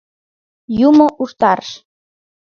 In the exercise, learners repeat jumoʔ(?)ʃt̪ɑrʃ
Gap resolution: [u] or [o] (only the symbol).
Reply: u